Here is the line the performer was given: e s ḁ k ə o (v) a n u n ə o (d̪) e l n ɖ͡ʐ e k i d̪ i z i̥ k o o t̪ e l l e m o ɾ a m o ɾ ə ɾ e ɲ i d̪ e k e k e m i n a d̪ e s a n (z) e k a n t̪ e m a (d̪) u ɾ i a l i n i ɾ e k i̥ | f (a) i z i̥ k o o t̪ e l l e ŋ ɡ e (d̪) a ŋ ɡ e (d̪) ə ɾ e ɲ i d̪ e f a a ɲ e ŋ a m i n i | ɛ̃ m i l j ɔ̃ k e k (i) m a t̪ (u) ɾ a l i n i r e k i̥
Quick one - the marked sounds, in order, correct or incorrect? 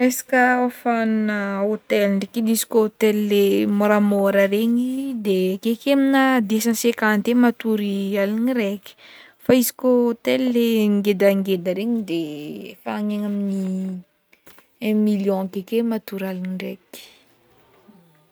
incorrect: f, incorrect: t̪, incorrect: s, incorrect: t̪, correct, correct, correct, incorrect: e, correct

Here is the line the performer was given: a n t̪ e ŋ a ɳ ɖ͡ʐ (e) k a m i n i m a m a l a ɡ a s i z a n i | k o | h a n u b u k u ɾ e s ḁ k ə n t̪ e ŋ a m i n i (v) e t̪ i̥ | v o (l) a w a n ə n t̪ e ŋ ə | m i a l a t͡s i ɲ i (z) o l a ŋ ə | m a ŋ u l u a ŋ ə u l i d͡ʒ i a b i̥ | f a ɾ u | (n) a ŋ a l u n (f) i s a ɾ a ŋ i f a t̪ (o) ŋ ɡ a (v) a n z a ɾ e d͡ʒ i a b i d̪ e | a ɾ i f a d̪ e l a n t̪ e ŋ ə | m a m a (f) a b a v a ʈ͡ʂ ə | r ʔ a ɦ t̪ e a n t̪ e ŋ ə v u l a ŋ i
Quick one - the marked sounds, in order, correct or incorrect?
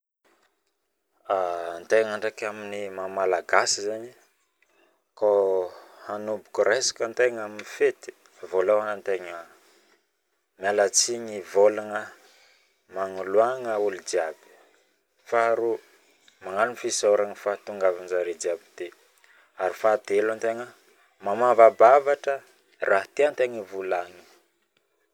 incorrect: a, incorrect: f, correct, incorrect: v, incorrect: m, correct, incorrect: u, correct, incorrect: v

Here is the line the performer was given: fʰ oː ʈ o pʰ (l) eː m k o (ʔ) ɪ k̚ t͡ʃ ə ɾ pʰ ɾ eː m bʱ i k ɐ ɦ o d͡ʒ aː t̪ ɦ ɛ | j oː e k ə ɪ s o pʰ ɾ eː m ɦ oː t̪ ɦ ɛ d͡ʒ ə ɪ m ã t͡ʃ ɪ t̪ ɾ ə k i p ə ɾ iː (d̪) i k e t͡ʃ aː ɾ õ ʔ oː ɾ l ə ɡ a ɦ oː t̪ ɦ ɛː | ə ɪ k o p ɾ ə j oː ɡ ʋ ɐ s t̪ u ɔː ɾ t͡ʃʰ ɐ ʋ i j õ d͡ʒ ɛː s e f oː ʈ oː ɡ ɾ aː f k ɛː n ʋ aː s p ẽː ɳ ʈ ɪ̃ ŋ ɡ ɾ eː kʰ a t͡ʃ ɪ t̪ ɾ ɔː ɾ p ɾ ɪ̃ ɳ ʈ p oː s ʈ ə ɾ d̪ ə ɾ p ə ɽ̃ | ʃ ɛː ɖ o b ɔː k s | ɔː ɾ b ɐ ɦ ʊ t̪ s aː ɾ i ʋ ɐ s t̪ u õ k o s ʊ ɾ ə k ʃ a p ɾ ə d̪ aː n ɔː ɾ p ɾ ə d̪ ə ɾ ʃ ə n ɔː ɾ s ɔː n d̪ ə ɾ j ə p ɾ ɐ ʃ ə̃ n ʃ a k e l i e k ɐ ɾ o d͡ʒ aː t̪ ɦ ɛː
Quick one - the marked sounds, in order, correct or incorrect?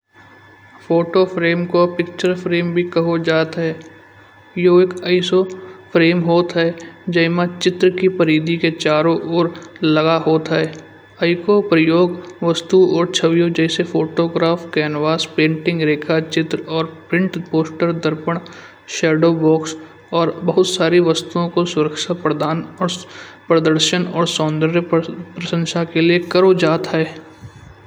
incorrect: ɾ, incorrect: p, correct

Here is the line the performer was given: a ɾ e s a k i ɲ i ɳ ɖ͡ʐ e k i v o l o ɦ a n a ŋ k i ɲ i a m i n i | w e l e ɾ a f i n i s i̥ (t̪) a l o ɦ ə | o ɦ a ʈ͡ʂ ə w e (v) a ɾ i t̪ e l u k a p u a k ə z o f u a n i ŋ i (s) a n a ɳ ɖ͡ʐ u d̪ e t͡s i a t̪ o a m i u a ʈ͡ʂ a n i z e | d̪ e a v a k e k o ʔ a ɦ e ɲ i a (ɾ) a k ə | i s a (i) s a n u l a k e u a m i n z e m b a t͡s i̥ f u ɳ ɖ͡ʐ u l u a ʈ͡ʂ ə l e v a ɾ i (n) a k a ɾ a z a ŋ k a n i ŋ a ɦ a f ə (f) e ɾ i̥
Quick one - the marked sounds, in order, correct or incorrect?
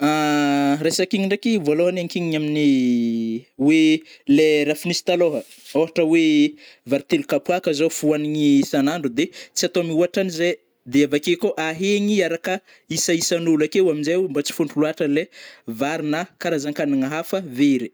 correct, correct, correct, correct, correct, correct, incorrect: v

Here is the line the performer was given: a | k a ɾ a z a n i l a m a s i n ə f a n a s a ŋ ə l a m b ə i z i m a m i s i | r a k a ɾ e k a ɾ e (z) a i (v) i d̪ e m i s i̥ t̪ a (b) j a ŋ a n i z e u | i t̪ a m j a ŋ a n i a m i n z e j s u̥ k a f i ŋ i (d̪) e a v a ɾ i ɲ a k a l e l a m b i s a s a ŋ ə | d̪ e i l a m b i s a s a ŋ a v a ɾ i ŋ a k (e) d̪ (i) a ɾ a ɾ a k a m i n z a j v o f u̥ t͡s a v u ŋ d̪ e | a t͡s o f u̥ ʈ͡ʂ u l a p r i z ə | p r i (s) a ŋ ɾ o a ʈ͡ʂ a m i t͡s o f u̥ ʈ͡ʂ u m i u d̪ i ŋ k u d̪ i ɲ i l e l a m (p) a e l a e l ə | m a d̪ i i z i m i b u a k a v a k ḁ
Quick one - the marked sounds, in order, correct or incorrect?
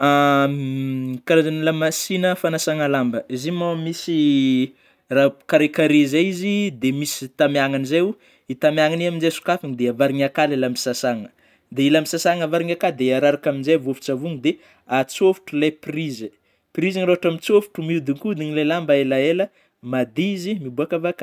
correct, incorrect: z, incorrect: m, correct, incorrect: a, incorrect: e, incorrect: z, incorrect: b

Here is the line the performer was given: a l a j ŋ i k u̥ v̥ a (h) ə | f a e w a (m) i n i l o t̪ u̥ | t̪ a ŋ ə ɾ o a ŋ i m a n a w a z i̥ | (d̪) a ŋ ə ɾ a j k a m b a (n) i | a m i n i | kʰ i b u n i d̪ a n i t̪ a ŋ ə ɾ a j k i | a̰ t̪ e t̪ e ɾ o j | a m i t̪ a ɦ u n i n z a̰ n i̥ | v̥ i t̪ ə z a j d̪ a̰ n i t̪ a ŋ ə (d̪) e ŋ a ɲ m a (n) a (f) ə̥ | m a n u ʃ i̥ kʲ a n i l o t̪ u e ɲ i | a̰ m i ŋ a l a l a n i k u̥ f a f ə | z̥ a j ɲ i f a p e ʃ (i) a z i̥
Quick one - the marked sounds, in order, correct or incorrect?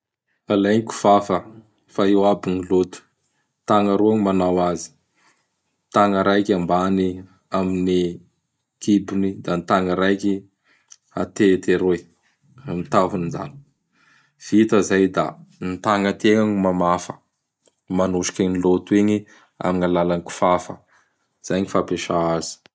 incorrect: f, incorrect: b, incorrect: t̪, correct, incorrect: t̪, incorrect: m, correct, incorrect: a

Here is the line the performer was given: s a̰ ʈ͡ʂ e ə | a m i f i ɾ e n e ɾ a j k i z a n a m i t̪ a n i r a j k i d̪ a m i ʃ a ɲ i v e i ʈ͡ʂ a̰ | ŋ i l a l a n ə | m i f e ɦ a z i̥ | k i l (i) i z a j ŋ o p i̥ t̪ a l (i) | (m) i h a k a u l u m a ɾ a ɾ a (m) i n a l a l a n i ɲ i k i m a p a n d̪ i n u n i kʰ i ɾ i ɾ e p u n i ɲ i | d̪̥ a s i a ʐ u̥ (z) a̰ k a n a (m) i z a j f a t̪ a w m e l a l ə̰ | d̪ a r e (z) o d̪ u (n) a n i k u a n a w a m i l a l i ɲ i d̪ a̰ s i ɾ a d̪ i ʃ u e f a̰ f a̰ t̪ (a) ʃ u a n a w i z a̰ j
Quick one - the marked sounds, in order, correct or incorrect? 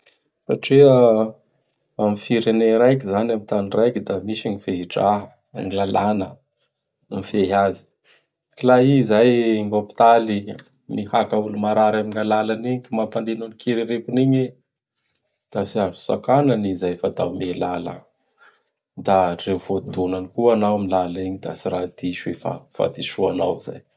incorrect: a, correct, correct, correct, incorrect: s, incorrect: n, incorrect: v, correct, incorrect: i

